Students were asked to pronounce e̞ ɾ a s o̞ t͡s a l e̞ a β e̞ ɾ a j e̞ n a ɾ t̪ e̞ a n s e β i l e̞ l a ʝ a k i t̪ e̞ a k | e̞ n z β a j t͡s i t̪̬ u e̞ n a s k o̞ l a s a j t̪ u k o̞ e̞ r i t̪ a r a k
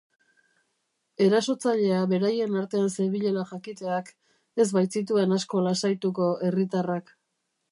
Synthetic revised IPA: e̞ ɾ a s o̞ t͡s a ʎ e̞ a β e̞ ɾ a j e̞ n a ɾ t̪ e̞ a n s e β i ʎ e̞ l a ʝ a k i t̪ e̞ a k | e̞ z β a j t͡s i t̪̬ u e̞ n a s k o̞ l a s a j t̪ u k o̞ e̞ r i t̪ a r a k